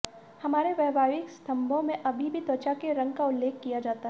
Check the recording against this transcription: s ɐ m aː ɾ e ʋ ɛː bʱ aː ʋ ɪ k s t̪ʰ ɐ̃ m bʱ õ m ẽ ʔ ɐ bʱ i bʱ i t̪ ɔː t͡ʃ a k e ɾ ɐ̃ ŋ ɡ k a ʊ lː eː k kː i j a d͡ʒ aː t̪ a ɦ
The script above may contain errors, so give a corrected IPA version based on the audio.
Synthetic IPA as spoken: h ɐ m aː ɾ e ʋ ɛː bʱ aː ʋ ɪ k s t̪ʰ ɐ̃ m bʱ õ m ẽ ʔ ɐ bʱ i bʱ i t̪ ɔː t͡ʃ a k e ɾ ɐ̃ ŋ ɡ k a ʊ lː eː k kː i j a d͡ʒ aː t̪ a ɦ

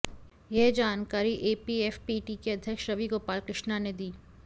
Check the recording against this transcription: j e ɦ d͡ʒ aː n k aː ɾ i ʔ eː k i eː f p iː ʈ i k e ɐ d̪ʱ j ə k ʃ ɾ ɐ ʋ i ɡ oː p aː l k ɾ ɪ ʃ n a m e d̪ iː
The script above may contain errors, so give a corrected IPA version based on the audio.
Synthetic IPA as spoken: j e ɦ d͡ʒ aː n k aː ɾ i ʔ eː p i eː f p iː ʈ i k e ɐ d̪ʱ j ə k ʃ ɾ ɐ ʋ i ɡ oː p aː l k ɾ ɪ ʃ n a n e d̪ iː

